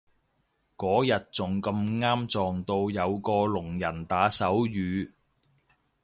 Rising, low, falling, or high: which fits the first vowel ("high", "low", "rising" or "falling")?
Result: rising